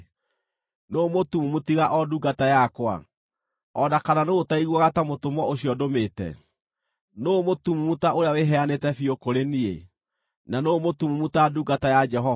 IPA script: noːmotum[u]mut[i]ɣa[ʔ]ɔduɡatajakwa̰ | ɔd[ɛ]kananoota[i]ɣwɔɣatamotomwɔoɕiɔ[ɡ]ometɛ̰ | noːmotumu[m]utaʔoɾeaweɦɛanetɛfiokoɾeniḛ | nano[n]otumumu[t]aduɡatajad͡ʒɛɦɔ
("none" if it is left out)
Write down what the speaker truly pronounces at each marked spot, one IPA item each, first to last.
u, i, ʔ, a, i, d, m, m, t

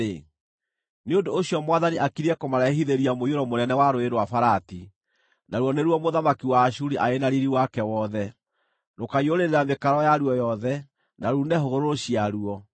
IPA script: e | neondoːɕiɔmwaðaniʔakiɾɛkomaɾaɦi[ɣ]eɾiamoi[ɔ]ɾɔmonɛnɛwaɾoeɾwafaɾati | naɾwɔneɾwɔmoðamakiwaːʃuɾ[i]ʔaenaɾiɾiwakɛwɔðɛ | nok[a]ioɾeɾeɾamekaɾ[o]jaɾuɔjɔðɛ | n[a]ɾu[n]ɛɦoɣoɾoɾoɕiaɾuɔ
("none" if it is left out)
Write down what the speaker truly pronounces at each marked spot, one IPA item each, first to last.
ð, o, i, a, ɔ, a, n

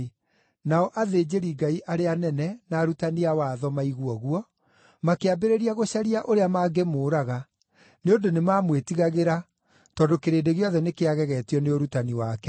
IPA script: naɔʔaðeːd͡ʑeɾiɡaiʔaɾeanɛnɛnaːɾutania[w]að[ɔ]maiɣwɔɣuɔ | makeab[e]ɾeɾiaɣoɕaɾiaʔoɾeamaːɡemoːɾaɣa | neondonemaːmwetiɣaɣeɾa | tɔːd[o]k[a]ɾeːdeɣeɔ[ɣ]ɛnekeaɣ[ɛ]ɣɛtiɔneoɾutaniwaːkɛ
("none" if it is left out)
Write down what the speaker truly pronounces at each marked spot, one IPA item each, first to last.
w, ɔ, e, o, e, ð, ɛ

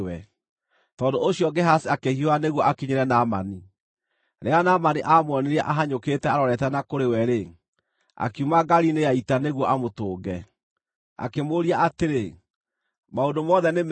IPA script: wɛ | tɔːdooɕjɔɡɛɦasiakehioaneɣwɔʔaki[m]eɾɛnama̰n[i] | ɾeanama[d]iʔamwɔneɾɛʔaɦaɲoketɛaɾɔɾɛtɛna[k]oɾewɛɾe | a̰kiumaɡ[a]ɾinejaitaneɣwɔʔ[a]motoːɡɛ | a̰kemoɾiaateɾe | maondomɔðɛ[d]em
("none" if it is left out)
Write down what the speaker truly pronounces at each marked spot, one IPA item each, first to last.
ɲ, i, n, k, a, a, n

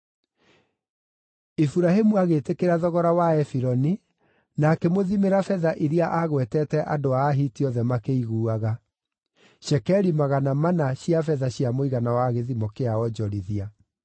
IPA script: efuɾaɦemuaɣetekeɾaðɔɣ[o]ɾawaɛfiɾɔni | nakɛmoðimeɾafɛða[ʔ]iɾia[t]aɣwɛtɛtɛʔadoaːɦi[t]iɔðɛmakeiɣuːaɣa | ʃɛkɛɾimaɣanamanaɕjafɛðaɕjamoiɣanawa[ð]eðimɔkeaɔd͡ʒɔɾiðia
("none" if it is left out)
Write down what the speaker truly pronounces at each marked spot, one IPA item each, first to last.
ɔ, ʔ, ʔ, t, ɣ

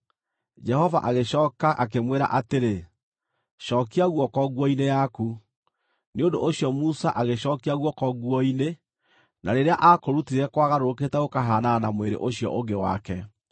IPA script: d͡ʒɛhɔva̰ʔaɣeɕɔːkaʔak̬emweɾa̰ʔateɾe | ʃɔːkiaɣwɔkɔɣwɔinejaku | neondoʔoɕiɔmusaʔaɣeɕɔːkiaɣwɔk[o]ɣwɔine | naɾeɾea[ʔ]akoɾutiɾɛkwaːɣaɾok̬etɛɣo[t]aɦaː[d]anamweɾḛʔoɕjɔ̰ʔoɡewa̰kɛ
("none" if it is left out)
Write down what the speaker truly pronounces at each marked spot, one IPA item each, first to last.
ɔ, ʔ, k, n

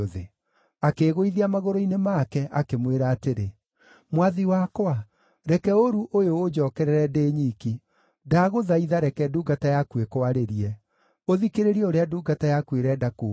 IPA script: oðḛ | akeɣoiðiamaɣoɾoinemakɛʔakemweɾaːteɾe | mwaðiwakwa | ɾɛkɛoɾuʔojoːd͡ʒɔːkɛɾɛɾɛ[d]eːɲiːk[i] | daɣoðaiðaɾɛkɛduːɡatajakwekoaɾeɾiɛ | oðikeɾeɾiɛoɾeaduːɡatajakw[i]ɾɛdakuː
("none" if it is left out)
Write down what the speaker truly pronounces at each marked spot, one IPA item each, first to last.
d, i, e

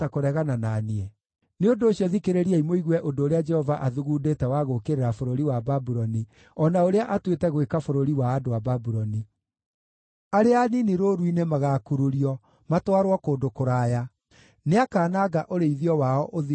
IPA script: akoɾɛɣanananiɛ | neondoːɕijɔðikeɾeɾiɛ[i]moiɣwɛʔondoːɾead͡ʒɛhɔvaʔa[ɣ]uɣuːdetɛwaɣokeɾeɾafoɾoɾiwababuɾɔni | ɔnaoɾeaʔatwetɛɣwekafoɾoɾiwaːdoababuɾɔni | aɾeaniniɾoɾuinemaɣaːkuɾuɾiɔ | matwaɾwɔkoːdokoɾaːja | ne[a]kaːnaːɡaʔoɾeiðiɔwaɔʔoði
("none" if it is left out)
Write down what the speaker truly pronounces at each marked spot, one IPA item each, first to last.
i, ð, a

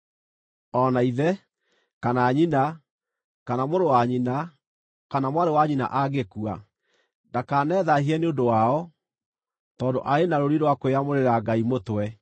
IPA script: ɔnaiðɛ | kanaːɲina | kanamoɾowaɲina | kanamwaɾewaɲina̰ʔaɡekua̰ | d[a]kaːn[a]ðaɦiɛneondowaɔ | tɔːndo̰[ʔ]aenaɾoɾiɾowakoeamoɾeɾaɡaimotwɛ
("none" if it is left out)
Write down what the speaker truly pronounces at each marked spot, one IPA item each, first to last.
a, ɛ, ʔ

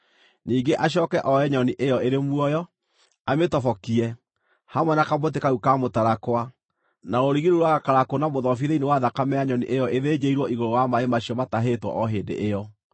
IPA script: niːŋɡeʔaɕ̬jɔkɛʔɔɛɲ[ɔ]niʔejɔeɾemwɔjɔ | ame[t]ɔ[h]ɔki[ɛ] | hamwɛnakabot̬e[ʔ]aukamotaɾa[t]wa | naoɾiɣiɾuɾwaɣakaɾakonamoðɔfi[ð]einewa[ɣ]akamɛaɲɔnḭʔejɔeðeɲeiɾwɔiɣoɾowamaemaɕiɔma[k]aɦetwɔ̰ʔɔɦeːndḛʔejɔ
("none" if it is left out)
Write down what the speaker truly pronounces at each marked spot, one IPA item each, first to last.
ɔ, t, f, ɛ, k, k, ð, ð, t

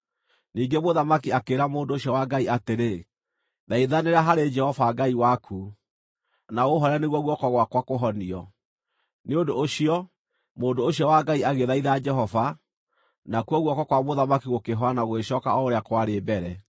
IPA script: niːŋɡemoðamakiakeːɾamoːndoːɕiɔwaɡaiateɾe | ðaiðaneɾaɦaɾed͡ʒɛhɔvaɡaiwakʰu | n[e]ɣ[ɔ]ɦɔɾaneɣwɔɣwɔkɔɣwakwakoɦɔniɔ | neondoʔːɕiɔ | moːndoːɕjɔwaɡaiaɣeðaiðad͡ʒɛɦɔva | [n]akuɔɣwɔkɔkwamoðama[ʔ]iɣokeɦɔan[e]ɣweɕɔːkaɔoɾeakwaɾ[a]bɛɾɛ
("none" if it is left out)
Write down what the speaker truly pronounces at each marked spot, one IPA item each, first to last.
a, o, n, k, a, e

